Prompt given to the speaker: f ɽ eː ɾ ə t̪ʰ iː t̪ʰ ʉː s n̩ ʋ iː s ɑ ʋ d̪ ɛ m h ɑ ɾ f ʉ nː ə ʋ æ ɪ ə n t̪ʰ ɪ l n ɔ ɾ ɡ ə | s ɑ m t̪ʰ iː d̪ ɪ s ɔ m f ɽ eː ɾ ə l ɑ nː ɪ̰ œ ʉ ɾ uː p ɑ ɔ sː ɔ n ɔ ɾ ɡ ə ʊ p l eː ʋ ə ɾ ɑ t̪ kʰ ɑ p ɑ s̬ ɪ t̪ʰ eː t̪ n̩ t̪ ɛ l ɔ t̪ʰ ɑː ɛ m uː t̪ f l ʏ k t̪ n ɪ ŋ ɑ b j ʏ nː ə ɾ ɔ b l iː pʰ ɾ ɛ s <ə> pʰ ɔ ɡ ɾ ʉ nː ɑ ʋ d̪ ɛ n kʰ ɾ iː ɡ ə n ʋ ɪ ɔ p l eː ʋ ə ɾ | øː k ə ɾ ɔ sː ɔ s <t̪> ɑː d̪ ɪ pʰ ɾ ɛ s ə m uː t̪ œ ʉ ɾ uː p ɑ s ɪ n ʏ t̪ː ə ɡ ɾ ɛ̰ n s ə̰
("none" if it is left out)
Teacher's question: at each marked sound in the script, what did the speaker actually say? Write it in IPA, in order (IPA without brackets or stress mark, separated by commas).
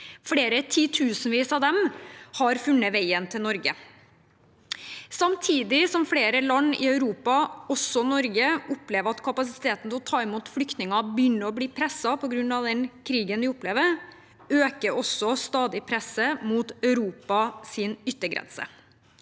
ɑ, t̪